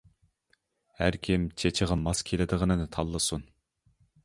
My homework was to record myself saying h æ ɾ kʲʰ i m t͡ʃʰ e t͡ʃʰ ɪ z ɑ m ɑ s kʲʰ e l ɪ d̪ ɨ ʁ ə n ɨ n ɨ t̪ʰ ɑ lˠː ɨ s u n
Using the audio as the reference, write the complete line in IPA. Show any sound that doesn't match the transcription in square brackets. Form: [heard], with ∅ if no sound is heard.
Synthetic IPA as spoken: h æ ɾ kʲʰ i m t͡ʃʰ e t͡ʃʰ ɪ [ʁ] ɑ m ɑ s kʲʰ e l ɪ d̪ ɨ ʁ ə n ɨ n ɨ t̪ʰ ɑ lˠː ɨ s u n